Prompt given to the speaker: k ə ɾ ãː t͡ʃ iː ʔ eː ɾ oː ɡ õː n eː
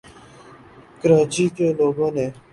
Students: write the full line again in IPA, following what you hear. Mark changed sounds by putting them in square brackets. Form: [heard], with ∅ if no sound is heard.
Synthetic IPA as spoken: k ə ɾ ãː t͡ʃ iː [k] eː [l] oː ɡ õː n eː